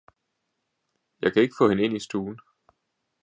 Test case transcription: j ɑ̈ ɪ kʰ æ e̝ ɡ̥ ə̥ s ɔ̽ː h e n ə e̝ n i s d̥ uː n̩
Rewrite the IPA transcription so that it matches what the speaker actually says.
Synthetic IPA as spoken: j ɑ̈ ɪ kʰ æ e̝ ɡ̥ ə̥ f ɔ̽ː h e n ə e̝ n i s d̥ uː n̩